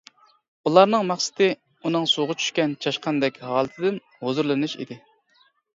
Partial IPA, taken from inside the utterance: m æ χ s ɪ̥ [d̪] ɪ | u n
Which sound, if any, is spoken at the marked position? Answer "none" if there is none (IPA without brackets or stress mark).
t̪